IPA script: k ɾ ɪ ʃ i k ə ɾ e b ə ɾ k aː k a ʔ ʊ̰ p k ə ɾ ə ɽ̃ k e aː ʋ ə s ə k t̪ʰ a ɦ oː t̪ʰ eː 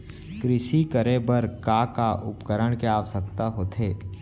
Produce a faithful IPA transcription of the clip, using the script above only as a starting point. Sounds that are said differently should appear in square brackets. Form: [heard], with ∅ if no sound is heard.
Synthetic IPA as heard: k ɾ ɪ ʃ i k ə ɾ e b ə ɾ k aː k a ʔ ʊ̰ p k ə ɾ ə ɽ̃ k e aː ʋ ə s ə k [t̪] a ɦ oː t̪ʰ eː